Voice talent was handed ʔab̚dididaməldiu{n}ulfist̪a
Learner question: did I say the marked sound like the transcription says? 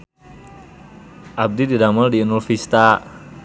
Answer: yes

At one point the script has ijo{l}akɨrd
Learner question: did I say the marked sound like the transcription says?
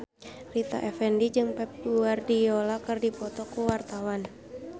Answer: yes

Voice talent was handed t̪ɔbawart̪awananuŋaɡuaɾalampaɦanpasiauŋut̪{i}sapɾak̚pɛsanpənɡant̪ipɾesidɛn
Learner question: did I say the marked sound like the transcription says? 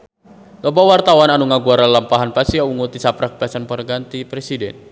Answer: yes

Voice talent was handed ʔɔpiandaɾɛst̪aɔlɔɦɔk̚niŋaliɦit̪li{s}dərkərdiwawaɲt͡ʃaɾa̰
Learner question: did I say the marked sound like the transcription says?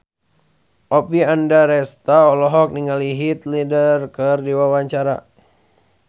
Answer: no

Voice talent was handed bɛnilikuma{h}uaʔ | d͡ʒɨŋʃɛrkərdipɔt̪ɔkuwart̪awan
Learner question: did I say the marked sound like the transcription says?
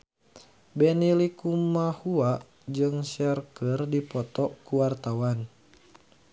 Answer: yes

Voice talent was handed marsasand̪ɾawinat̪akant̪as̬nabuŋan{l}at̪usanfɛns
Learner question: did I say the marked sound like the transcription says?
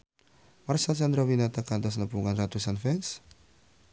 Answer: no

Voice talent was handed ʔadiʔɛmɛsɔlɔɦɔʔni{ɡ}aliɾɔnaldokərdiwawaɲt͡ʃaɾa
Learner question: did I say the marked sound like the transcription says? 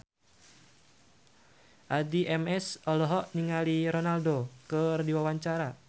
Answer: no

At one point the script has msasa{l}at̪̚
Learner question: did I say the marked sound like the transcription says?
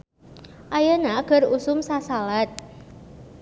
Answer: yes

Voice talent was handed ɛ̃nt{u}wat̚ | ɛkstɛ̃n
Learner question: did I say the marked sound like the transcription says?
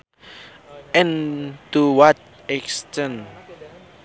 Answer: yes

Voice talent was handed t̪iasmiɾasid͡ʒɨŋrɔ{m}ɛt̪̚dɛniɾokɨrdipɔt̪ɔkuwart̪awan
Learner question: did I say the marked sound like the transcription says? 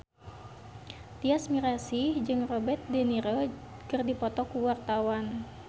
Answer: no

